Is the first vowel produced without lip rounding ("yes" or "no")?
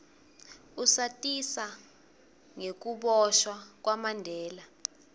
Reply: no